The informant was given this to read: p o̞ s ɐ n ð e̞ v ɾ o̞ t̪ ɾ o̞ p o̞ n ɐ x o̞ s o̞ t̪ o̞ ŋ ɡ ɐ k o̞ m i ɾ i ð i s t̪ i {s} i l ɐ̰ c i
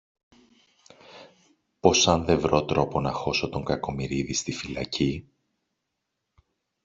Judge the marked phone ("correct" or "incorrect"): incorrect